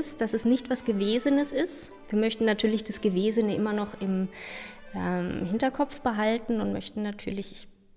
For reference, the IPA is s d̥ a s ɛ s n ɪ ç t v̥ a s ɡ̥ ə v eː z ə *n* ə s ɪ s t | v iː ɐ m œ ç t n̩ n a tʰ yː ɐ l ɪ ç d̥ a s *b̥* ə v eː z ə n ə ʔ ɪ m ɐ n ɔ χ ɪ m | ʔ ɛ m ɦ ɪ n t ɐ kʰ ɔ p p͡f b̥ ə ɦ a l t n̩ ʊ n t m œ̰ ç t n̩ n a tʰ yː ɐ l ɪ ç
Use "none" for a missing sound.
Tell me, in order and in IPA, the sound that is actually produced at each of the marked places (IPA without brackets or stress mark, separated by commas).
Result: n, ɡ̥